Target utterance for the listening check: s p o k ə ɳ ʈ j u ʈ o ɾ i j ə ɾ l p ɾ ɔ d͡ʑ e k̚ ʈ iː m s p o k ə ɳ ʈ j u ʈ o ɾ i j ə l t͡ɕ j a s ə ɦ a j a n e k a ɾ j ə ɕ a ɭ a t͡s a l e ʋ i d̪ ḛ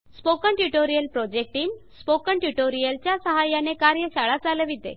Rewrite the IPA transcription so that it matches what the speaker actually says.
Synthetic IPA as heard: s p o k ə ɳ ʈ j u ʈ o ɾ i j ə l p ɾ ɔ d͡ʑ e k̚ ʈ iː m s p o k ə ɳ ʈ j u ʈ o ɾ i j ə l t͡ɕ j a s ə ɦ a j a n e k a ɾ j ə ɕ a ɭ a t͡s a l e ʋ i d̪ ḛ